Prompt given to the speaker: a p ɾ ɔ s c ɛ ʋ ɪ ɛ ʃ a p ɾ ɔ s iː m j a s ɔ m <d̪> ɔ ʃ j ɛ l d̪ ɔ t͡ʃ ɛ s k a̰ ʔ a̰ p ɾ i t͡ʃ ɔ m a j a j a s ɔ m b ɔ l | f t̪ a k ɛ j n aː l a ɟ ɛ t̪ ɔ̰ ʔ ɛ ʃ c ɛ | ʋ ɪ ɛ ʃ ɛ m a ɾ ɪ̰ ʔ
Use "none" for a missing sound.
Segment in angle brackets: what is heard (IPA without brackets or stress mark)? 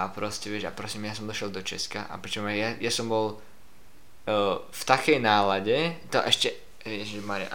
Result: d̪